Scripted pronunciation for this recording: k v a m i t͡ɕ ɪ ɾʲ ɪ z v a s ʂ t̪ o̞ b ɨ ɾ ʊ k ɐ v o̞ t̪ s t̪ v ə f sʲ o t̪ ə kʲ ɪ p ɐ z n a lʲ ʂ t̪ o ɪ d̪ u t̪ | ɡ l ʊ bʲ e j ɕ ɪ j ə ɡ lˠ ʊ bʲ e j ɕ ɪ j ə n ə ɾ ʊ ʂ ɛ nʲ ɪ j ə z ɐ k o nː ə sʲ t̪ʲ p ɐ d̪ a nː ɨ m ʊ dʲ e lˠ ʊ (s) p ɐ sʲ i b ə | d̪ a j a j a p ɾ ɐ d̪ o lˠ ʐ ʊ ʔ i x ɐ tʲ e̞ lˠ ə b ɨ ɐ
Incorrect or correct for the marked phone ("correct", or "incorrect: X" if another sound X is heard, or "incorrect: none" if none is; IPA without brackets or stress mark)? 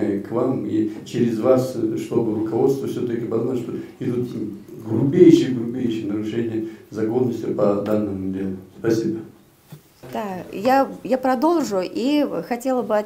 correct